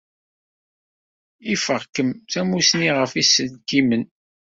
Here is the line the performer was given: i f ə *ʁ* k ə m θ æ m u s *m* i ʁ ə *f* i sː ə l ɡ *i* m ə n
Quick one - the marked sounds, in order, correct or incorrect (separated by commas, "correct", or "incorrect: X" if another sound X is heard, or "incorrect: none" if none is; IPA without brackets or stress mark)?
correct, incorrect: n, correct, correct